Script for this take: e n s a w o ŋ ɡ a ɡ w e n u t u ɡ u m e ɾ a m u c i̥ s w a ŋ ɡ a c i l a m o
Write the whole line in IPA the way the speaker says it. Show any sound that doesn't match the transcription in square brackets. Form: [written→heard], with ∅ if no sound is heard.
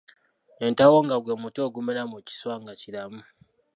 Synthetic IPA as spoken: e n [s→t] a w o ŋ ɡ a ɡ w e [n→m] u t [u→o] ɡ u m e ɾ a m u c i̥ s w a ŋ ɡ a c i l a m [o→u]